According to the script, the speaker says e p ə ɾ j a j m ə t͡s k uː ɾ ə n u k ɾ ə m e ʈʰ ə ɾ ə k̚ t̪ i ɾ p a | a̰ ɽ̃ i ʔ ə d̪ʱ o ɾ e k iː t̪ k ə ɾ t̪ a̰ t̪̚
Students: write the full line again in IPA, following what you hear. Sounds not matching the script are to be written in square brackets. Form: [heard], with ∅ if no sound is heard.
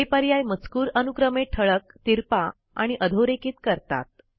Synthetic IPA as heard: e p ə ɾ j a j m ə t͡s k uː ɾ ə n u k ɾ ə m e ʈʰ ə [ɭ] ə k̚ t̪ i ɾ p a | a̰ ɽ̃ i ʔ ə d̪ʱ o ɾ e k iː t̪ k ə ɾ t̪ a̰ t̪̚

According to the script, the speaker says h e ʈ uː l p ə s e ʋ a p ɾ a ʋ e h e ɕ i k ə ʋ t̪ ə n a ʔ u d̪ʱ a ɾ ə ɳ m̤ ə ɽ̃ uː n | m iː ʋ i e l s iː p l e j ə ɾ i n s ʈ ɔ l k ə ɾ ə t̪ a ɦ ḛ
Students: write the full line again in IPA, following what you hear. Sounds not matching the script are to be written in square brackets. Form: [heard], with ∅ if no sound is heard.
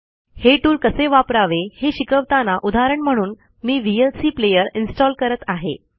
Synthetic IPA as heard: h e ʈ uː l [k] ə s e ʋ a p ɾ a ʋ e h e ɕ i k ə ʋ t̪ [a] n a ʔ u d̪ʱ a ɾ ə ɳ m̤ ə ɽ̃ uː n | m iː ʋ i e l s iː p l e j ə ɾ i n s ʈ ɔ l k ə ɾ ə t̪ a ɦ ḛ

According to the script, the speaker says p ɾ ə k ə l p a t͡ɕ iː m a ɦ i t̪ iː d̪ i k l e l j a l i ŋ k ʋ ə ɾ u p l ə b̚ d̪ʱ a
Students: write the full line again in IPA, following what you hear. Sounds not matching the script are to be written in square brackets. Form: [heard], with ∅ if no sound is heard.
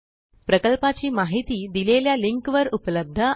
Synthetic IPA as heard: p ɾ ə k ə l p a t͡ɕ iː m a ɦ i t̪ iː d̪ i [∅] l e l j a l i ŋ k ʋ ə ɾ u p l ə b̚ d̪ʱ [ə]

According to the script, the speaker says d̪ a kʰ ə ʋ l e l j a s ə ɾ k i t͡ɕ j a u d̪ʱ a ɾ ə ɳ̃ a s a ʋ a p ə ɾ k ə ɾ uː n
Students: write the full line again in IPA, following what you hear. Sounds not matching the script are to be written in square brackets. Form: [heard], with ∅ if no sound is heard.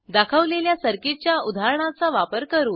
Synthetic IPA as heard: d̪ a kʰ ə ʋ l e l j a s ə ɾ k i t͡ɕ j a u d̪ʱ a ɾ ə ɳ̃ a [t͡s] a ʋ a p ə ɾ k ə ɾ uː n

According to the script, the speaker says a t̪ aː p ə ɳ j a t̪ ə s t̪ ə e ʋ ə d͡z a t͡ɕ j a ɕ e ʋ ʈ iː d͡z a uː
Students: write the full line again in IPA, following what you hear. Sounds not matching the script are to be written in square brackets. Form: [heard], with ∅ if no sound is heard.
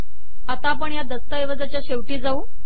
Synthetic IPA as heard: a t̪ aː p ə ɳ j a [d̪] ə s t̪ ə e ʋ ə d͡z a t͡ɕ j a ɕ e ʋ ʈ iː d͡z a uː

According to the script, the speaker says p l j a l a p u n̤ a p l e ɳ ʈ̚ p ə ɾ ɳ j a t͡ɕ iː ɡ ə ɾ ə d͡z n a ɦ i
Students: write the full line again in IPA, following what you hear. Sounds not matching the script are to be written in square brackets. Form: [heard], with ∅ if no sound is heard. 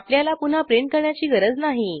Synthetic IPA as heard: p l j a l a p u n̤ a p [ɾ] e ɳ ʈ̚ [k] ə ɾ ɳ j a t͡ɕ iː ɡ ə ɾ ə d͡z n a ɦ i

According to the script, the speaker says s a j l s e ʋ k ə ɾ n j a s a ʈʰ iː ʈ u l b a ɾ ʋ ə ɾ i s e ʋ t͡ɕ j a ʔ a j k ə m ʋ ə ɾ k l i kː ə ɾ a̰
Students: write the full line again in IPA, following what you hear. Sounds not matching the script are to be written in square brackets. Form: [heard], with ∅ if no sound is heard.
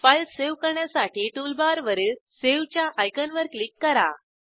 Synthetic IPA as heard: [f] a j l s e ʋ k ə ɾ [ɳ] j a s a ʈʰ iː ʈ u l b a ɾ ʋ ə ɾ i s e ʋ t͡ɕ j a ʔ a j k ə [n] ʋ ə ɾ k l i kː ə ɾ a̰

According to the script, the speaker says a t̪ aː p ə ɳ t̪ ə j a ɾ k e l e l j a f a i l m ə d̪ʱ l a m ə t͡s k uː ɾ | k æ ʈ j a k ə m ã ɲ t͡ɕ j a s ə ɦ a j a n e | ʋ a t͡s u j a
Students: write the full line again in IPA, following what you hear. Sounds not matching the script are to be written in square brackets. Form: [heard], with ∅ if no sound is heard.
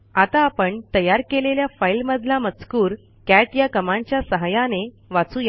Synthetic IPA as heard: a t̪ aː p ə ɳ t̪ ə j a ɾ k e l e l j a f a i l m ə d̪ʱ l a m ə t͡s k uː ɾ | k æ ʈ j a k ə m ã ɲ t͡ɕ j a s ə ɦ a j a n e | ʋ a t͡s u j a

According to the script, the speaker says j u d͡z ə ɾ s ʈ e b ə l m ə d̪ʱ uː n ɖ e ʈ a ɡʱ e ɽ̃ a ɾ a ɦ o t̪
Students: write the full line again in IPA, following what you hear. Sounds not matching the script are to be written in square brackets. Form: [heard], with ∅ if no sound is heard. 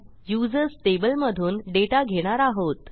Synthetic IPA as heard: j u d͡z ə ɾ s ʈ e b ə l m ə d̪ʱ uː n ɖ e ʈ a ɡʱ e ɽ̃ a ɾ a ɦ o t̪

